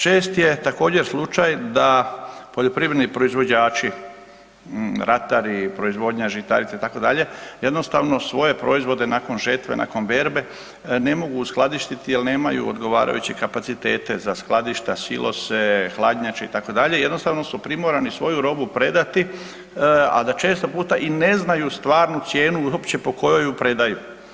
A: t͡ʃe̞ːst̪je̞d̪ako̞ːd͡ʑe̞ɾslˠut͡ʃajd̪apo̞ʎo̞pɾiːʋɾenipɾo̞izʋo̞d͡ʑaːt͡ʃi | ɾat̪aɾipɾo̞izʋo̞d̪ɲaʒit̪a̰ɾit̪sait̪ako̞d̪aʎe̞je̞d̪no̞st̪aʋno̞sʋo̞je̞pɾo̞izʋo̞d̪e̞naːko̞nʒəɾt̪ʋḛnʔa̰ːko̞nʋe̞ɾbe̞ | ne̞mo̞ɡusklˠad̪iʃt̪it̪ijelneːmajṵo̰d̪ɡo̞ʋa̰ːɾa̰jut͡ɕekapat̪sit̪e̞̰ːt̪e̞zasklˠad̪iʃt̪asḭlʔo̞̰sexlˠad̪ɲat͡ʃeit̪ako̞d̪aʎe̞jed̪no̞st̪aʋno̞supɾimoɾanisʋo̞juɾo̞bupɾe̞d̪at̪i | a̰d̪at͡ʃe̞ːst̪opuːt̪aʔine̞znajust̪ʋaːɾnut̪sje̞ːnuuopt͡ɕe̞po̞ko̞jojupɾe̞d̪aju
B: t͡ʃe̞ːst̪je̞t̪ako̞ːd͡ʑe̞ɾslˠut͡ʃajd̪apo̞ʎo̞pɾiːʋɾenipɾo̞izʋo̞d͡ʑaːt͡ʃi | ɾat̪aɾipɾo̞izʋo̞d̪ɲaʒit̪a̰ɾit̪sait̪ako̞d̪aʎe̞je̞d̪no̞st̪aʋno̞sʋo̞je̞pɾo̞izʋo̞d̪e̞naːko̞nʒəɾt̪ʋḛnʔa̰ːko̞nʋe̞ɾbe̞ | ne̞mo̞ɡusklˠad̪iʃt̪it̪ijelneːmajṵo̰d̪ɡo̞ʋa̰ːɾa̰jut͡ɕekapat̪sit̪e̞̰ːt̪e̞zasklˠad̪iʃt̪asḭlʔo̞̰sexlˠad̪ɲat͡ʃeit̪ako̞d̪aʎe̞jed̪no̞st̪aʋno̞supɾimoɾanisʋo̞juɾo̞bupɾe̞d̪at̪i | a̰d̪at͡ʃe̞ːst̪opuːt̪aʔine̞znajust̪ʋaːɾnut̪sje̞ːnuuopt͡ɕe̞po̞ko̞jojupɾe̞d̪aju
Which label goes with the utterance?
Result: B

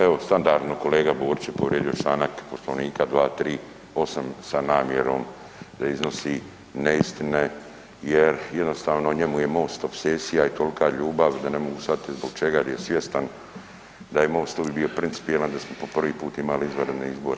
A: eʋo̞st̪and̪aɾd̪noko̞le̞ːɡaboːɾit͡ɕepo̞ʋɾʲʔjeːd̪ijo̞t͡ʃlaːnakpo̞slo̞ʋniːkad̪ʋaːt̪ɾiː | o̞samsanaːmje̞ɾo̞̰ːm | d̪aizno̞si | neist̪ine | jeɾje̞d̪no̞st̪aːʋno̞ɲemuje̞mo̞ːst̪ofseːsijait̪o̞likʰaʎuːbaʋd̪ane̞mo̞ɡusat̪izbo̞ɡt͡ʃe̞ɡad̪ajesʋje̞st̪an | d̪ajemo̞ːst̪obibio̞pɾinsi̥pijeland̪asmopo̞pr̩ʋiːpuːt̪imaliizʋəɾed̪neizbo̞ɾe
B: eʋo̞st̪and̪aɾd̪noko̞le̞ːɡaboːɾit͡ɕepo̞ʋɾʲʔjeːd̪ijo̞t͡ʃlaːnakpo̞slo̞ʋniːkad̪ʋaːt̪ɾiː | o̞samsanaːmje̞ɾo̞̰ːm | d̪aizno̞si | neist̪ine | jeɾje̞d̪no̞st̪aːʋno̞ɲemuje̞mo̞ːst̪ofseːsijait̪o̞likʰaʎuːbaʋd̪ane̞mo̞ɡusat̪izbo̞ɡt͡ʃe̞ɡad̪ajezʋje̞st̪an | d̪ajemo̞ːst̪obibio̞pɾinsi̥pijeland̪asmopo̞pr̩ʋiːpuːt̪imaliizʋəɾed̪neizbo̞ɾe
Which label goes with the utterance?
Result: A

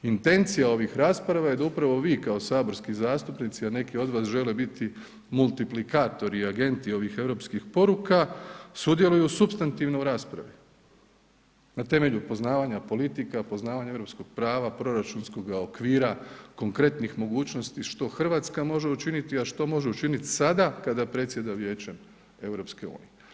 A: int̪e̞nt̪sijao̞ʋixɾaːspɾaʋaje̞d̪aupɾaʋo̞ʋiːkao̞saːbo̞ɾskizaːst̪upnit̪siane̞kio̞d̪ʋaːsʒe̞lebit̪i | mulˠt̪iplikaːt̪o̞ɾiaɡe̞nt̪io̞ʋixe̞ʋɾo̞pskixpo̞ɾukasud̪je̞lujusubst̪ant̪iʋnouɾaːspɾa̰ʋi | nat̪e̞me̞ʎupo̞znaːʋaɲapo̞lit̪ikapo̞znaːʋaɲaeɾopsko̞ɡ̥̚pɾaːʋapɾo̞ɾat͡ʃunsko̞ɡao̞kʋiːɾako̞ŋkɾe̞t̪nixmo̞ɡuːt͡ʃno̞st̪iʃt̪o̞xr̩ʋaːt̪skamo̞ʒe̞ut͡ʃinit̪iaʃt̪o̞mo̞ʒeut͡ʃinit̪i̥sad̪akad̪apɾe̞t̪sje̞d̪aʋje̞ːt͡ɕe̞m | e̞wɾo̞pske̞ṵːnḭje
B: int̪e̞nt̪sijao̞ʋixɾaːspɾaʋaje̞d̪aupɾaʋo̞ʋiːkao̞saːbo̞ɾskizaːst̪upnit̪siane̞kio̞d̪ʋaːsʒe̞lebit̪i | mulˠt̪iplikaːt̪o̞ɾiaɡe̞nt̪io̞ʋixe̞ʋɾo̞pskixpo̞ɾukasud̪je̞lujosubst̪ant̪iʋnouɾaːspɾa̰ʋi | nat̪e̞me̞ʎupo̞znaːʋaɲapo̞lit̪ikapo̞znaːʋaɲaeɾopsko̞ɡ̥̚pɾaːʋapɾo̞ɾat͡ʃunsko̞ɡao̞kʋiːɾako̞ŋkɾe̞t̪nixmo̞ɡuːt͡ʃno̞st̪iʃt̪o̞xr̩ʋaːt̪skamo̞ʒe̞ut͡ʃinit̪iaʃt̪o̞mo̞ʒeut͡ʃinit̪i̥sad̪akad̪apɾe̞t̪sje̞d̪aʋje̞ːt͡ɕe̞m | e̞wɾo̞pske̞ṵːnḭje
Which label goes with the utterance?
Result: A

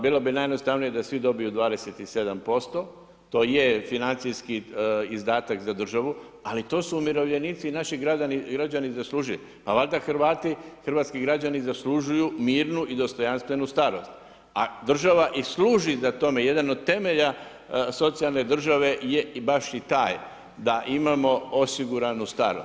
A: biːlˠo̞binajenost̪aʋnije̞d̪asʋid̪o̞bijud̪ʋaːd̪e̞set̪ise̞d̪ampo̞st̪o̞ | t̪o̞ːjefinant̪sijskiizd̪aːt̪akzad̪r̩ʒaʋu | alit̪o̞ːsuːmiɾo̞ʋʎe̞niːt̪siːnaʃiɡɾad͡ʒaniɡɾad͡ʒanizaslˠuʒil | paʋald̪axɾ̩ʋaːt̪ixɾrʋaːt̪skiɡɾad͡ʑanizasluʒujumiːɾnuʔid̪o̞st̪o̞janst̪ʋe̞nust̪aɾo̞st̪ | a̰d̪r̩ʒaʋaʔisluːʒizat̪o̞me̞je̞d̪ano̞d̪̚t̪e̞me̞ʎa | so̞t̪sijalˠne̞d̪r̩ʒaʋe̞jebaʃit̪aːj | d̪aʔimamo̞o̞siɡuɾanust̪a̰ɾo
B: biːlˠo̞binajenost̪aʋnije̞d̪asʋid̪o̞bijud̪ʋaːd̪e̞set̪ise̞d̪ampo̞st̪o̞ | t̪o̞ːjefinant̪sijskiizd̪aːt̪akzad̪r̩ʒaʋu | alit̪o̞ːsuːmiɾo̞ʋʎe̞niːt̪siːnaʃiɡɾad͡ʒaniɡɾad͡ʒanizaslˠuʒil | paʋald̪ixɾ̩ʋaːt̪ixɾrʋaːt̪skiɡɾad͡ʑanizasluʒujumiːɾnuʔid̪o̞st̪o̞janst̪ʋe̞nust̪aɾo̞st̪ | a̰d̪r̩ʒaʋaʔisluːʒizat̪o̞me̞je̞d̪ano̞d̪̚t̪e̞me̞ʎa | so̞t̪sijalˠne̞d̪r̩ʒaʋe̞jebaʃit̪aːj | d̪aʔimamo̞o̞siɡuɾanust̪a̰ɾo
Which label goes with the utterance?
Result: A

